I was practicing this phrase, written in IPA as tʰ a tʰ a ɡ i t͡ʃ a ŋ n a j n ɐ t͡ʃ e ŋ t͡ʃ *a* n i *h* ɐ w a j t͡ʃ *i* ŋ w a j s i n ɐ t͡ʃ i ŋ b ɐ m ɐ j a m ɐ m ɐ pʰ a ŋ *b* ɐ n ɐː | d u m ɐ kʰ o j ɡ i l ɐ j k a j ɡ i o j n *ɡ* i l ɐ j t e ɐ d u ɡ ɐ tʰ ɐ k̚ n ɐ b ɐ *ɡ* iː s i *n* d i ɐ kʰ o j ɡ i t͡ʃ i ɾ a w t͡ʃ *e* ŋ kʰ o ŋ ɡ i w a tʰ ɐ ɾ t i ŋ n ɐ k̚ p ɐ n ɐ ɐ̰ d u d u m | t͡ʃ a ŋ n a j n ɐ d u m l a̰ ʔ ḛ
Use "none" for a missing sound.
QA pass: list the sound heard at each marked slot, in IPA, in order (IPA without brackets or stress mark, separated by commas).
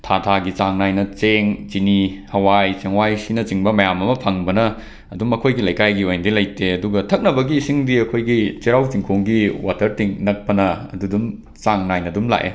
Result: i, h, e, b, d, ɡ, ŋ, i